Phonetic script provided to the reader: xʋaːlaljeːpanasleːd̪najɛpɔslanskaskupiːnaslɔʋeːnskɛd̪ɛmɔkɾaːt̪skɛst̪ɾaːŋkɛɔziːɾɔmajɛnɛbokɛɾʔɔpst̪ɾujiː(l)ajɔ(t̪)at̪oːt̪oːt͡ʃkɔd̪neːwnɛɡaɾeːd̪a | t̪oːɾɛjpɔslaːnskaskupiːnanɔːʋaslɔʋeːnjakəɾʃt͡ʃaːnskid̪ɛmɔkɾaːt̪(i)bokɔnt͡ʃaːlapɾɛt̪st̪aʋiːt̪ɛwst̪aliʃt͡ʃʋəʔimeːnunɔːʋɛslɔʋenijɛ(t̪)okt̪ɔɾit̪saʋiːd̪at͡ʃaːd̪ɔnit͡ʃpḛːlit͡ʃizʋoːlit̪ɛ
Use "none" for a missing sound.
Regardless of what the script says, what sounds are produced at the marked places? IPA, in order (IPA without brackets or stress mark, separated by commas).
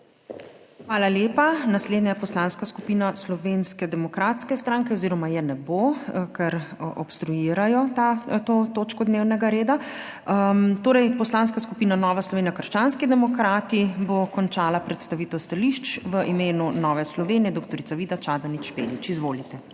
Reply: ɾ, t̪, i, d̪